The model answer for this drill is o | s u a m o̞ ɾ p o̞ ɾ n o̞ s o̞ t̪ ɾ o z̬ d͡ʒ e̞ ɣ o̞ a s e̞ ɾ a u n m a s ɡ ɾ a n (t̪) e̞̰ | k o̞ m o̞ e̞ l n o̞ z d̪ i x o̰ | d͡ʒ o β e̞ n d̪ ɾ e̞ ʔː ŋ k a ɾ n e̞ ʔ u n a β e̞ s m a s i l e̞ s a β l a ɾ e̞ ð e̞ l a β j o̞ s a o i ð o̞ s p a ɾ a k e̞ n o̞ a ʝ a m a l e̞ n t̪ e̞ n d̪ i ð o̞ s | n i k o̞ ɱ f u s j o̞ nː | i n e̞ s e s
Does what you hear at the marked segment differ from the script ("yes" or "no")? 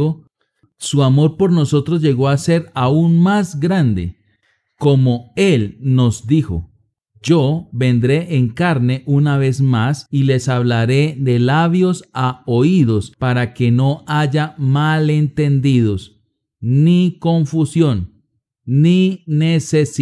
yes